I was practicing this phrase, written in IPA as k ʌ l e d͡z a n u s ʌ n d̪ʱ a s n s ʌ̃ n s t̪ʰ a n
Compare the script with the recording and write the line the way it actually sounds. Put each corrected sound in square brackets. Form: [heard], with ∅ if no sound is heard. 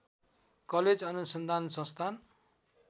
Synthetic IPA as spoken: k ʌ l e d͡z [ʌ] n u s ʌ n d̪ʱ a [∅] n s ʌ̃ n s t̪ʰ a n